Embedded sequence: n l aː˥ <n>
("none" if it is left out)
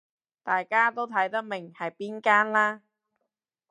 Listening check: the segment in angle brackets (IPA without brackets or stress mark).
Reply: none